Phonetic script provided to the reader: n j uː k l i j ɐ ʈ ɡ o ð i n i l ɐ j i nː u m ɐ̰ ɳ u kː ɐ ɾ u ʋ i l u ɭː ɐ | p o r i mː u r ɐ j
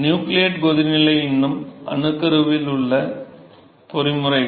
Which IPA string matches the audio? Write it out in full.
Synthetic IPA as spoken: n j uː k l i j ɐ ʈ ɡ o ð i n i l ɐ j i nː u m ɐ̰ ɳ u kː ɐ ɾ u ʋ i l u ɭː ɐ | p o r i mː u r ɐ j